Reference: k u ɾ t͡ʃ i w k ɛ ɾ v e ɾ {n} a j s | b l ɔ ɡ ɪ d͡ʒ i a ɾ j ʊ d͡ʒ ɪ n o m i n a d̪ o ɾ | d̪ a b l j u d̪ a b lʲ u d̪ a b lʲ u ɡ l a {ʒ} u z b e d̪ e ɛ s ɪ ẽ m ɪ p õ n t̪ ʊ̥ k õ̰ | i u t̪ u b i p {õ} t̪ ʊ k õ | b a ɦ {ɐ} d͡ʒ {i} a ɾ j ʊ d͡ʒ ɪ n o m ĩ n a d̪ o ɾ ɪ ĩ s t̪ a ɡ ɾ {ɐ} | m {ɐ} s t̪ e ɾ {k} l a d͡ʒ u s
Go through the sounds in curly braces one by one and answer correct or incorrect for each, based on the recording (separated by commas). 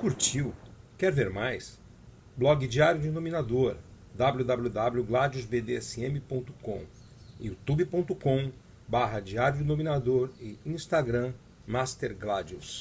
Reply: incorrect, incorrect, correct, correct, correct, incorrect, incorrect, incorrect